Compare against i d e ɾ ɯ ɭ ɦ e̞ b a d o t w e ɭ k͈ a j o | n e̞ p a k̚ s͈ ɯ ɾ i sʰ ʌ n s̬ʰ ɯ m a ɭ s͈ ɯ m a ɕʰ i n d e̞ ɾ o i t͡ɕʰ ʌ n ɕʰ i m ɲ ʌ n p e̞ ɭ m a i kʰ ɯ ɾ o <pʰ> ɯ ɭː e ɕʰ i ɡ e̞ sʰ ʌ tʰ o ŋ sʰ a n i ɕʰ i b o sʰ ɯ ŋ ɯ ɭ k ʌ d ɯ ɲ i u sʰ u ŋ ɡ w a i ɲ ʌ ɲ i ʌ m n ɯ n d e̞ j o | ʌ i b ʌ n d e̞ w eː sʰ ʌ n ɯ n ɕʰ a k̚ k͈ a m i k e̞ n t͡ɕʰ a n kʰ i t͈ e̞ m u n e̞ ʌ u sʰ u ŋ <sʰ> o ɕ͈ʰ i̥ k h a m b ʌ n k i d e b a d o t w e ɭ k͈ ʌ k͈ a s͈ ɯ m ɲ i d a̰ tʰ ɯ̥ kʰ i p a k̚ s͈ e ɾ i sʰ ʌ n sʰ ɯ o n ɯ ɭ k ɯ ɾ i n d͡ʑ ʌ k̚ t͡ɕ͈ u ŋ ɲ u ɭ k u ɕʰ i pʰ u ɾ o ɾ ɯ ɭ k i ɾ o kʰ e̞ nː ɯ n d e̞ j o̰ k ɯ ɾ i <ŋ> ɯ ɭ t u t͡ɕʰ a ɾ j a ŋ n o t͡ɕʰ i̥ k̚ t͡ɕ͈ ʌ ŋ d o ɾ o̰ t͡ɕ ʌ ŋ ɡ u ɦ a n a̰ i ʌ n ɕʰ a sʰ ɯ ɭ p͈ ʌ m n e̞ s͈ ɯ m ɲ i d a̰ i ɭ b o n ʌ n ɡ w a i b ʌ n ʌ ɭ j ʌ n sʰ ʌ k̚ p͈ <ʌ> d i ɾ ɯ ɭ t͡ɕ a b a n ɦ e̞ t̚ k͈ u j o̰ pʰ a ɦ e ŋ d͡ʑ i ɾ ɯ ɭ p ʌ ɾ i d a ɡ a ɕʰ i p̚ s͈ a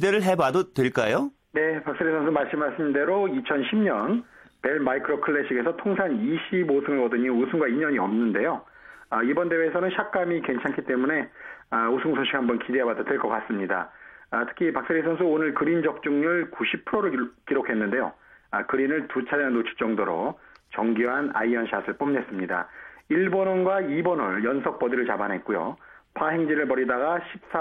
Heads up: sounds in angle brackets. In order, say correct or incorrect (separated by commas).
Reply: incorrect, correct, incorrect, correct